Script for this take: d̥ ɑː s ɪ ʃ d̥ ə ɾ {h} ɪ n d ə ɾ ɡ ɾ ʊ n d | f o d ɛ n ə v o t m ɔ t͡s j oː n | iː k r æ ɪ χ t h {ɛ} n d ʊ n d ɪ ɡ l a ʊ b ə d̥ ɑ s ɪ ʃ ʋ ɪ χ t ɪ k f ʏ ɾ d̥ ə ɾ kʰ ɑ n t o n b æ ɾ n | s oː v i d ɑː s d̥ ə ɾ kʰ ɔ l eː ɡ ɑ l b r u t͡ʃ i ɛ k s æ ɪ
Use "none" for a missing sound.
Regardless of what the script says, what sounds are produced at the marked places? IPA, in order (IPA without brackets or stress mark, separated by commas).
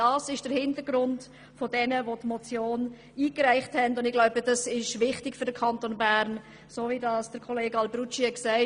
h, ɛ